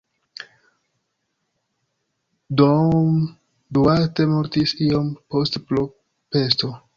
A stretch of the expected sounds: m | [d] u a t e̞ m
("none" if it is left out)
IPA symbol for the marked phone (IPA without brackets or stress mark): d